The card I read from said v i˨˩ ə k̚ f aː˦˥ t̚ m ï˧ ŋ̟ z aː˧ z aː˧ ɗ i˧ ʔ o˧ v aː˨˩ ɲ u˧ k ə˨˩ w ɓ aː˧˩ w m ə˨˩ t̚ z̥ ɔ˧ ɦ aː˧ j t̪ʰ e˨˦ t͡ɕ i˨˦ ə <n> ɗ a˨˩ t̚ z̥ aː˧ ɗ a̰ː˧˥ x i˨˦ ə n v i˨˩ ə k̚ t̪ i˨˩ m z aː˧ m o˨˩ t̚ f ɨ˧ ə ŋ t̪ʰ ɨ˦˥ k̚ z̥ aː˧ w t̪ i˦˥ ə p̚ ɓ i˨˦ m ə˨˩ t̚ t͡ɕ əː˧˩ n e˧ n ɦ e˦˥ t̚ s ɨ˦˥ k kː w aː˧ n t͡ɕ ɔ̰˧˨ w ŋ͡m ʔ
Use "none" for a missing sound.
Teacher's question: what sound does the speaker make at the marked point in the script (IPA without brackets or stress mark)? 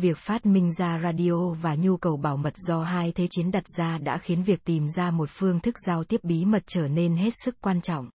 n